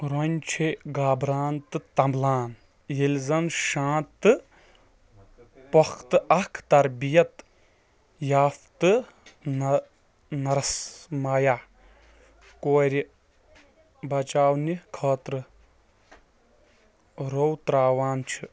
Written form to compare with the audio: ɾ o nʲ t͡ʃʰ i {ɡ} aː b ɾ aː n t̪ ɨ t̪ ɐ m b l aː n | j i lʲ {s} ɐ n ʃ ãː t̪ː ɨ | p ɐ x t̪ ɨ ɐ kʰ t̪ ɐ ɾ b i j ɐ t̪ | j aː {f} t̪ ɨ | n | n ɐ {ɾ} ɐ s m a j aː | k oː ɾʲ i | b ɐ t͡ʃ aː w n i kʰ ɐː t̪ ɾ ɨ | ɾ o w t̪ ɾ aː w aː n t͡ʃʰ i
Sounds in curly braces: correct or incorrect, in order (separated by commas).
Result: correct, incorrect, correct, correct